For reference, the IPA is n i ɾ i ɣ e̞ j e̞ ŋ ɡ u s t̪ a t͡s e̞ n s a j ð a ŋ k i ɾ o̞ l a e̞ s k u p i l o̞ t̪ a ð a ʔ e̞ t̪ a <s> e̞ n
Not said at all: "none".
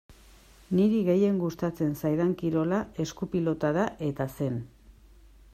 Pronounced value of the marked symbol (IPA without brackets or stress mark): s